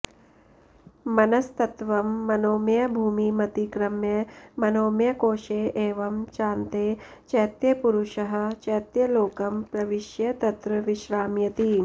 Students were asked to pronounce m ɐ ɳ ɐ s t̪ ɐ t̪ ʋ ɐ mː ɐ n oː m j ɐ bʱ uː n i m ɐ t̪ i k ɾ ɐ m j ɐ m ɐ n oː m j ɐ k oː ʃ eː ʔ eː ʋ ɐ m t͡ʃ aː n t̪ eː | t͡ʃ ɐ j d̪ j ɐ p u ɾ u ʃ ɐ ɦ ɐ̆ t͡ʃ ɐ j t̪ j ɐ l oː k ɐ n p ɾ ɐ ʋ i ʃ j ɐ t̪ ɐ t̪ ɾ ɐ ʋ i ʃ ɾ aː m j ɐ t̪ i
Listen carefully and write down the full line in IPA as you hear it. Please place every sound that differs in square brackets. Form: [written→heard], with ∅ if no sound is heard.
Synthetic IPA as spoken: m ɐ [ɳ→n] ɐ s t̪ ɐ t̪ ʋ ɐ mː ɐ n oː m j ɐ bʱ uː [n→m] i m ɐ t̪ i k ɾ ɐ m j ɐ m ɐ n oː m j ɐ k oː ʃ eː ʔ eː ʋ ɐ m t͡ʃ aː n t̪ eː | t͡ʃ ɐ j [d̪→t̪] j ɐ p u ɾ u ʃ ɐ ɦ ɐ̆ t͡ʃ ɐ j t̪ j ɐ l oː k ɐ [n→m] p ɾ ɐ ʋ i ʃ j ɐ t̪ ɐ t̪ ɾ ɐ ʋ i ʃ ɾ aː m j ɐ t̪ i